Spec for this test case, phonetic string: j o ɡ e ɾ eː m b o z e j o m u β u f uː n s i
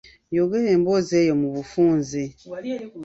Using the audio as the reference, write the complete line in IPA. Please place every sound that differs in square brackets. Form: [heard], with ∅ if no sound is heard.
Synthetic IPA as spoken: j o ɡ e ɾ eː m b o z e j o m u β u f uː n [z] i